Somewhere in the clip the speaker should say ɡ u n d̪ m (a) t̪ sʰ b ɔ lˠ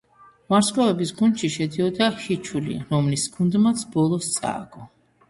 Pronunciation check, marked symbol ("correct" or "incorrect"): correct